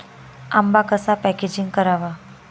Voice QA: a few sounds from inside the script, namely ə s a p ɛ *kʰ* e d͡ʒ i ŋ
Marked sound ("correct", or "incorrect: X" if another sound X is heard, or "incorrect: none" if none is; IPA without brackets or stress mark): incorrect: k